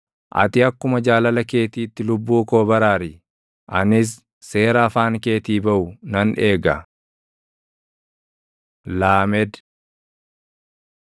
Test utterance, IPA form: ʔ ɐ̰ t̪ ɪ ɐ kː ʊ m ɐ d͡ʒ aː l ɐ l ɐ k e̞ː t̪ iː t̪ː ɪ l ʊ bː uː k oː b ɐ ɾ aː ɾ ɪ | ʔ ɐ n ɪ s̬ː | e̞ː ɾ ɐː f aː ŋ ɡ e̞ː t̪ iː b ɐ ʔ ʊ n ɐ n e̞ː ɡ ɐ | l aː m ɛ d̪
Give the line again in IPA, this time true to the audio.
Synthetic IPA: ʔ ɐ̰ t̪ ɪ ɐ kː ʊ m ɐ d͡ʒ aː l ɐ l ɐ k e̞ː t̪ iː t̪ː ɪ l ʊ bː uː k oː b ɐ ɾ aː ɾ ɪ | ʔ ɐ n ɪ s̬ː | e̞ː ɾ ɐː f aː ŋ k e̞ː t̪ iː b ɐ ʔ ʊ n ɐ n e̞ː ɡ ɐ | l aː m ɛ d̪